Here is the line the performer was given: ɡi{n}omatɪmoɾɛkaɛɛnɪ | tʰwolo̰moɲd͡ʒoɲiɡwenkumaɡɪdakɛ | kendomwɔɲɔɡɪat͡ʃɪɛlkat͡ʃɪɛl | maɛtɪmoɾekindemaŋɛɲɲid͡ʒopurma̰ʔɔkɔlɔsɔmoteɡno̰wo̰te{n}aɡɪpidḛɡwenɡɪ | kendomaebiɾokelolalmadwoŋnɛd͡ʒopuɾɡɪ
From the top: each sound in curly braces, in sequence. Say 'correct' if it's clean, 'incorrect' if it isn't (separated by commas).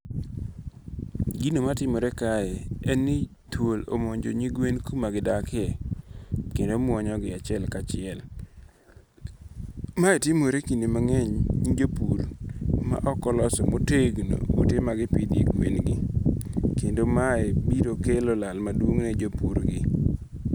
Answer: correct, incorrect